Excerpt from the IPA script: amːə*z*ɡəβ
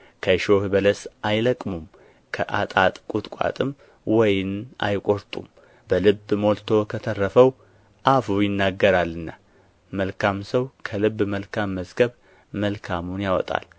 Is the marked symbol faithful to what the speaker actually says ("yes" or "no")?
yes